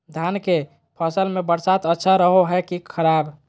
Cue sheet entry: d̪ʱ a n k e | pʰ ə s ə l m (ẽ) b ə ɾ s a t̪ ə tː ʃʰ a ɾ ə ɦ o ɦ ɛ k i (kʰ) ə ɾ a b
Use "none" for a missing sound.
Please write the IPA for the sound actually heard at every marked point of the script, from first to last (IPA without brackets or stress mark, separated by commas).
e, kʰ